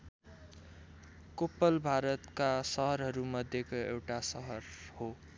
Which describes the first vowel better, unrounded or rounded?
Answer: rounded